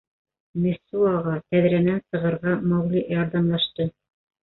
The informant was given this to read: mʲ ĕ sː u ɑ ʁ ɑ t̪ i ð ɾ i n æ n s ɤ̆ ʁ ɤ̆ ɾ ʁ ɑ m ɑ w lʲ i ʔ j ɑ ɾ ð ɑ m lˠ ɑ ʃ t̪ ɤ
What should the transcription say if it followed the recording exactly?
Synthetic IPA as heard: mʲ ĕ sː u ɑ ʁ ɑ t̪ æ ð ɾ æ n æ n s ɤ̆ ʁ ɤ̆ ɾ ʁ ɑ m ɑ w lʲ i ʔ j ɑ ɾ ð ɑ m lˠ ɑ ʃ t̪ ɤ